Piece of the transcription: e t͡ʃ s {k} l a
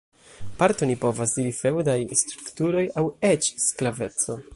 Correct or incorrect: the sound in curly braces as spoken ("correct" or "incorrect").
correct